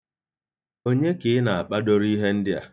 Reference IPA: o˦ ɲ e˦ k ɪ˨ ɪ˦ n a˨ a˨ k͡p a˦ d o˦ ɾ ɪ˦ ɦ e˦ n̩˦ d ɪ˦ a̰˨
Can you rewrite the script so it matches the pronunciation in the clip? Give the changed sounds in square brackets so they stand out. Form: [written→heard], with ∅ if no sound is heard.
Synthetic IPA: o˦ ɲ e˦ k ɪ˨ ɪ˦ n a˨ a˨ k͡p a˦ d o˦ ɾ [ɪ˦→i˦] ɦ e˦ n̩˦ d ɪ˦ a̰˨